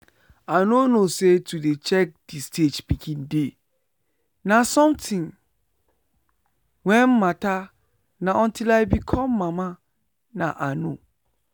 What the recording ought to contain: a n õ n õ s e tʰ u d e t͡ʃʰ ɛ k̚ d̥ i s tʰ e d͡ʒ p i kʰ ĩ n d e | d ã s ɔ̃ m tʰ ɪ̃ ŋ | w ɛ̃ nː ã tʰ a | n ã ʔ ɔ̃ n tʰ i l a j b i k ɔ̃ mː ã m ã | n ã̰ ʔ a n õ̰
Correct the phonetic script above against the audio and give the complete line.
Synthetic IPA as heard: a n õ n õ s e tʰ u d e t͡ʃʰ ɛ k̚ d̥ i s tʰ e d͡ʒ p i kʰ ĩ n d e | n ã s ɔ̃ m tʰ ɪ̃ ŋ | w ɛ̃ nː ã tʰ a | n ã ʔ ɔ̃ n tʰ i l a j b i kʰ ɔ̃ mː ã m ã | n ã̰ ʔ a n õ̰